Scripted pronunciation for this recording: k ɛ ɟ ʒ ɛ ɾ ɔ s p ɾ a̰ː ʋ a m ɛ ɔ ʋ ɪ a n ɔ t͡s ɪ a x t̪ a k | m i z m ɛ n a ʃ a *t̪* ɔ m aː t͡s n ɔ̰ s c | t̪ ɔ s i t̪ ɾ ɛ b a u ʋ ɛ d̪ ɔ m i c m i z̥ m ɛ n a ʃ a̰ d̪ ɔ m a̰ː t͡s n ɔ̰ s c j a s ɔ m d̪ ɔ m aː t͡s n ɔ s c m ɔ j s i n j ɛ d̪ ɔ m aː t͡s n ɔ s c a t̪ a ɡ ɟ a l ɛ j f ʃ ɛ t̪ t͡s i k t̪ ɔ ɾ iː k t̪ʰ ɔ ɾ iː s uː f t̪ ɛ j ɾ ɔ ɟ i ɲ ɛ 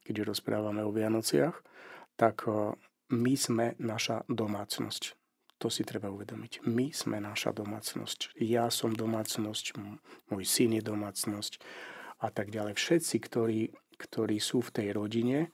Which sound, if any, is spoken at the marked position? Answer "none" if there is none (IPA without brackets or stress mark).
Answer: d̪